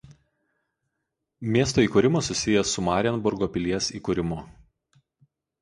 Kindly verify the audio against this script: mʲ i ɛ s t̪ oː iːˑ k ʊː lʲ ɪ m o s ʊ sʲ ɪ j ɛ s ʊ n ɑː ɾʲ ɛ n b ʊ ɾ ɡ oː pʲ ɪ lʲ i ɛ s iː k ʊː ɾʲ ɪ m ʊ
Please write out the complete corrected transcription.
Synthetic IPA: mʲ i ɛ s t̪ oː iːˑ k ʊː ɾʲ ɪ m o s ʊ sʲ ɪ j ɛ s ʊ m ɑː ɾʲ ɛ n b ʊ ɾ ɡ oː pʲ ɪ lʲ i ɛ s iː k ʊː ɾʲ ɪ m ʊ